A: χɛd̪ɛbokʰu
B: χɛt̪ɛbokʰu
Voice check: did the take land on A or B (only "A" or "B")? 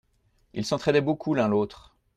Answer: A